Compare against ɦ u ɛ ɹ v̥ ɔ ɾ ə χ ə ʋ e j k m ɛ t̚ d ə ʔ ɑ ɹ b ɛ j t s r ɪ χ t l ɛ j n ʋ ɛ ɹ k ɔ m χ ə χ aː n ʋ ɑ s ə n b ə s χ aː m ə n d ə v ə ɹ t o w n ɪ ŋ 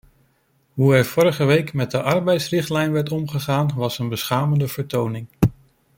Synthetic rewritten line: ɦ u ɛ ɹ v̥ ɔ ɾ ə χ ə ʋ e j k m ɛ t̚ d ə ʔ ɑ ɹ b ɛ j t s r ɪ χ t l ɛ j n ʋ ɛ ɹ t ɔ m χ ə χ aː n ʋ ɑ s ə n b ə s χ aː m ə n d ə v ə ɹ t o w n ɪ ŋ